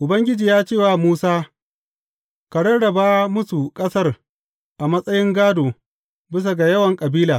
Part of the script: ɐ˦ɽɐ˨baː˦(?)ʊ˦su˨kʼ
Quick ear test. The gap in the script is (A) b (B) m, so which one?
B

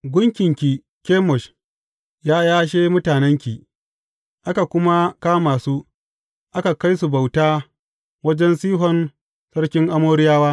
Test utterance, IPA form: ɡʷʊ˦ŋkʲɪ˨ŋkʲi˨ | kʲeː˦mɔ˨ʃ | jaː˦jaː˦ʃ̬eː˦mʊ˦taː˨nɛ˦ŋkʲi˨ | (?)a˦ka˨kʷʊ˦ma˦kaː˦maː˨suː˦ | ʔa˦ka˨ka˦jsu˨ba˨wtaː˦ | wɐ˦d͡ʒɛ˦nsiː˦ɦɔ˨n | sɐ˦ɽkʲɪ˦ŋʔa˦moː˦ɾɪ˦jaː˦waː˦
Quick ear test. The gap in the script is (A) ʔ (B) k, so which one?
A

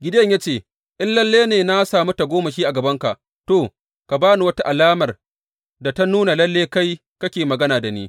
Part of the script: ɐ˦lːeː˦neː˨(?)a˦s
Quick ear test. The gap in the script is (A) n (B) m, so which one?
A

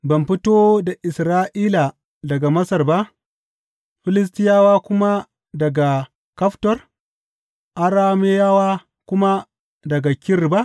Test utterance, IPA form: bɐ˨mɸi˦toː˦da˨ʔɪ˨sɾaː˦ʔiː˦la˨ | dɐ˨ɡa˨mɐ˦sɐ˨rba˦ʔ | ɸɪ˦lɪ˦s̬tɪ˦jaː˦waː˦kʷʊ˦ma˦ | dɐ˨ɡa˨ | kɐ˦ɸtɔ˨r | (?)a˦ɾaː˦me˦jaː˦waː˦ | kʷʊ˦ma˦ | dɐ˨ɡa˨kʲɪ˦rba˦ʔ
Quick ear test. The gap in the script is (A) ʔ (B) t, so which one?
A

